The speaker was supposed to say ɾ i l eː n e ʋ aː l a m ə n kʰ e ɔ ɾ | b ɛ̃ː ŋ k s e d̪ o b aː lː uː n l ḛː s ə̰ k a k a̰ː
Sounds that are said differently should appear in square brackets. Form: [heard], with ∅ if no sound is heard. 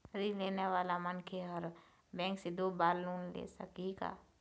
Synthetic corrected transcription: ɾ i l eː n e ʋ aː l a m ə n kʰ e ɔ ɾ | b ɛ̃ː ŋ k s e d̪ o b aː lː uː n l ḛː s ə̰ k [i] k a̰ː